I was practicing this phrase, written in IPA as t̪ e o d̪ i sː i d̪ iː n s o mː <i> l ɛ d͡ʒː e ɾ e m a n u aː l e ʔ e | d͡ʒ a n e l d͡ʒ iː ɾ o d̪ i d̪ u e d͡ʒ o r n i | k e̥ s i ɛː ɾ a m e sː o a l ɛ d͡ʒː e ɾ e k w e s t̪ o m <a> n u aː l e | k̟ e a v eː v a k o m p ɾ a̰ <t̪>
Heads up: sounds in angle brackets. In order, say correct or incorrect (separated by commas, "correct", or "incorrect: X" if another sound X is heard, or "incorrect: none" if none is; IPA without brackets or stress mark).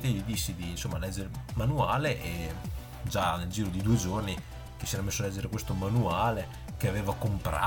incorrect: a, correct, incorrect: none